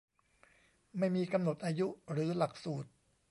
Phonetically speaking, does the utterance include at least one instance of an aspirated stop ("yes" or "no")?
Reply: no